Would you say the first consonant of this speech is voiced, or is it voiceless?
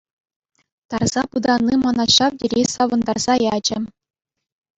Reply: voiceless